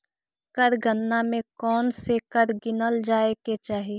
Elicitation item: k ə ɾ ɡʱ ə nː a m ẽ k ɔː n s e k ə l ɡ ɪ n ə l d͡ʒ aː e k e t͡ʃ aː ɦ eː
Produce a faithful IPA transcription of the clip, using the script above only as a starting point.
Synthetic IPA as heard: k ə ɾ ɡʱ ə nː a m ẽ k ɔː n s e k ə ɾ ɡ ɪ n ə l d͡ʒ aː e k e t͡ʃ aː ɦ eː

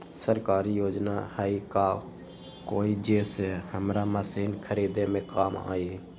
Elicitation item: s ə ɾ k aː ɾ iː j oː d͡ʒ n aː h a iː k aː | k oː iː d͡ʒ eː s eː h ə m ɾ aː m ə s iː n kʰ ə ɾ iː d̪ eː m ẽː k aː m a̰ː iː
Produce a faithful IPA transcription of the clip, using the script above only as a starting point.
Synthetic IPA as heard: s ə ɾ k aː ɾ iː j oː d͡ʒ n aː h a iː k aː | k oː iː d͡ʒ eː s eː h ə m ɾ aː m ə s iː n kʰ ə ɾ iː d̪ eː m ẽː k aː m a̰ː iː

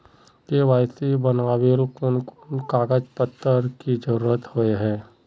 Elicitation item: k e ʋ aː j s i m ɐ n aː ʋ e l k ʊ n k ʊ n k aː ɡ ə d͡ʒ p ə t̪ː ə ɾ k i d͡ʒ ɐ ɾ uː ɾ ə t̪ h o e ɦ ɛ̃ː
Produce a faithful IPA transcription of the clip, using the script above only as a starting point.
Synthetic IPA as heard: k e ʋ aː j s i b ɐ n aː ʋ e l k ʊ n k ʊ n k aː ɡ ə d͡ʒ p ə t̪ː ə ɾ k i d͡ʒ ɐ ɾ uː ɾ ə t̪ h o e ɦ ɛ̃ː

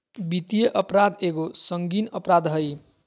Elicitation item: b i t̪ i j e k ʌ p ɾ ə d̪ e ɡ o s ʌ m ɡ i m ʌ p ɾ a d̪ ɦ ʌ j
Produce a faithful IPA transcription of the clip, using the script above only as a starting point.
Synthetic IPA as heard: b i t̪ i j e ʔ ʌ p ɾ a d̪ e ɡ o s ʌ ŋ ɡ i n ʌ p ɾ a d̪ ɦ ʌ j

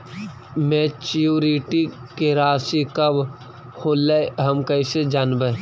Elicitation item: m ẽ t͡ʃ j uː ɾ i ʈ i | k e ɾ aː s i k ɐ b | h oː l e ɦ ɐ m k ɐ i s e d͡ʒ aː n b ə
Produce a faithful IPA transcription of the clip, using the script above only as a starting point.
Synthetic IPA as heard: m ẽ t͡ʃ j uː ɾ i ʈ i | k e ɾ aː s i k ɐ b | h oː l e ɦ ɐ m k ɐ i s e d͡ʒ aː n b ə

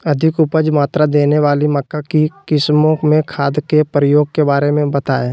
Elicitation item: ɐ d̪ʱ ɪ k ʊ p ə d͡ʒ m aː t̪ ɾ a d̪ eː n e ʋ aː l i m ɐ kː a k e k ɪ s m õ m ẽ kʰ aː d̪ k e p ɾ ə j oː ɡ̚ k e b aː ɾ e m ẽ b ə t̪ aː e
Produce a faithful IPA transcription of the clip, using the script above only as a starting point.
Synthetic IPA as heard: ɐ d̪ʱ ɪ k ʊ p ə d͡ʒ m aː t̪ ɾ a d̪ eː n e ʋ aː l i m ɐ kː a k i k ɪ s m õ m ẽ kʰ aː d̪ k e p ɾ ə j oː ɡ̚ k e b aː ɾ e m ẽ b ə t̪ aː e

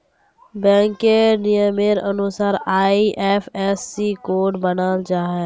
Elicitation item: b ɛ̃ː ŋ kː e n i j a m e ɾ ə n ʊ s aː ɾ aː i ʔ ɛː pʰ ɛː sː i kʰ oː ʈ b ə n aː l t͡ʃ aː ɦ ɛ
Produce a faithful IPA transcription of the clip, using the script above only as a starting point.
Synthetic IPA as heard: b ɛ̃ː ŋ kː e n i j ə m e ɾ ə n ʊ s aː ɾ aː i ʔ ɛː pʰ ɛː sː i k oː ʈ b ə n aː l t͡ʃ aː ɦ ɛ

